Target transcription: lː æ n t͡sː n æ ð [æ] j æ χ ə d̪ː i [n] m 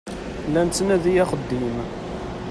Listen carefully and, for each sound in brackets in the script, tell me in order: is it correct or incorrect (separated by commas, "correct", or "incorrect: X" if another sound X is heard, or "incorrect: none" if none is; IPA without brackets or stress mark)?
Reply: incorrect: i, incorrect: none